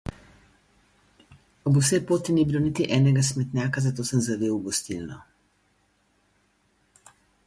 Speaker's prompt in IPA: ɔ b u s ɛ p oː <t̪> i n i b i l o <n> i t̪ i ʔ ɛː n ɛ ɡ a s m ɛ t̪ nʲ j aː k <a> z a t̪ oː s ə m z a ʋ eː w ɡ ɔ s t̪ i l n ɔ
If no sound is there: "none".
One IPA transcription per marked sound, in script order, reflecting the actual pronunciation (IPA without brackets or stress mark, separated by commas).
t̪, n, a